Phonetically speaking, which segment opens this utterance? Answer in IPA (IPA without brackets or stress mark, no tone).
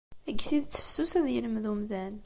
æ